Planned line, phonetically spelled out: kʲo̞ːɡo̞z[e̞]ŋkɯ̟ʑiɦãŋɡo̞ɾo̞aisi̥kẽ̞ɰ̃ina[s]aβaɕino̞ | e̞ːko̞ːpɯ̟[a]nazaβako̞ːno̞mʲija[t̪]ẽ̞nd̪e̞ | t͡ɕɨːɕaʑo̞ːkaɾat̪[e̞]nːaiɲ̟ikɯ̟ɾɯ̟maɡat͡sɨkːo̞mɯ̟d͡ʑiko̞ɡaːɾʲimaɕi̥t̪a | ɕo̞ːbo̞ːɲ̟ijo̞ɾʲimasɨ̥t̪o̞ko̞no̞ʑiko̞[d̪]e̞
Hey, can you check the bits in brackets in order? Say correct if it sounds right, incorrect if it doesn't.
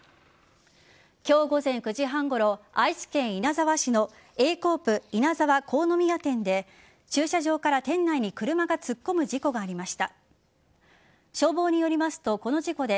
incorrect: ẽ̞, incorrect: z, incorrect: i, correct, incorrect: ẽ̞, correct

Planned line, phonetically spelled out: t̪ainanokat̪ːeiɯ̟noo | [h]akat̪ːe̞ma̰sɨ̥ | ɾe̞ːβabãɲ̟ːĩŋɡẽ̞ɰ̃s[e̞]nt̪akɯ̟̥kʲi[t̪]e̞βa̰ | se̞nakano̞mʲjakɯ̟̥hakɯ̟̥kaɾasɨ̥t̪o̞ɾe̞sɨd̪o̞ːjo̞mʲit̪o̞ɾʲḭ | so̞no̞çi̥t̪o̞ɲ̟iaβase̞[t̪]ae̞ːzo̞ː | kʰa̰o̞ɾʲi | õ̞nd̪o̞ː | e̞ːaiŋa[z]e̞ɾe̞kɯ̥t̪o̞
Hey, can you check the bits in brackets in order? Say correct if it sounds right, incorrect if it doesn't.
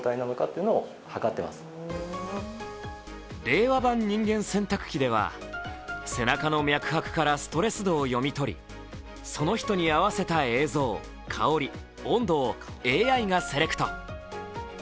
correct, incorrect: ẽ̞, incorrect: d̪, correct, incorrect: s

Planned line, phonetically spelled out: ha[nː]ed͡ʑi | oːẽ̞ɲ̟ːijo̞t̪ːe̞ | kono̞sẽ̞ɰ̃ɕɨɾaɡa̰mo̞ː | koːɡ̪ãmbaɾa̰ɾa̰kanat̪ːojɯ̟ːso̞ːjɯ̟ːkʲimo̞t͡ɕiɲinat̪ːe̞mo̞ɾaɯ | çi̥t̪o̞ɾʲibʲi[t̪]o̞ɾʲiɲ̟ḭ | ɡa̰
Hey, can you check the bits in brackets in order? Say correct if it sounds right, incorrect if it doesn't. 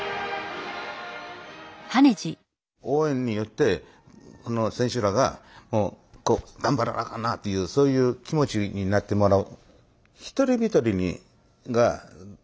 incorrect: n, correct

